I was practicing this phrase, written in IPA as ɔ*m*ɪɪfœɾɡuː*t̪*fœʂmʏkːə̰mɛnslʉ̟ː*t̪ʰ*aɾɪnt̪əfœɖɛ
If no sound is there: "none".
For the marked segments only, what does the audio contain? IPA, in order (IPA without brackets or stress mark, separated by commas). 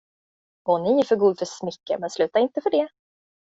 n, d̪, t̪